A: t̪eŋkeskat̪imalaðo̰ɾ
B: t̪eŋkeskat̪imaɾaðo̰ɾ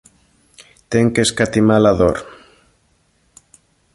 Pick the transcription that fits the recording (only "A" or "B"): A